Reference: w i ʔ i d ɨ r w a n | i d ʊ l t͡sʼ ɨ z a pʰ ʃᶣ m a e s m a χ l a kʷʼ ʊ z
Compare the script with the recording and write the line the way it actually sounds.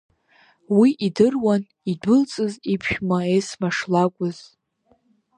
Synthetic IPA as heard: w i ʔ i d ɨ r w a n | i d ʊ l t͡sʼ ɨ z i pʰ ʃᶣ m a e s m a ʂ l a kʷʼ ʊ z